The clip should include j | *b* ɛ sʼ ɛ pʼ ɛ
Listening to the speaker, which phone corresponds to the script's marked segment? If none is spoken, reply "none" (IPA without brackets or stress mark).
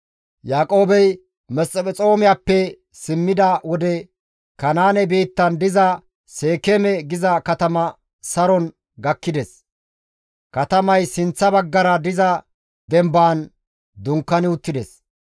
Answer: m